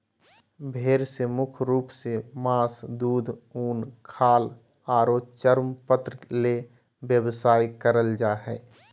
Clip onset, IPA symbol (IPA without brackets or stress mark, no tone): bʱ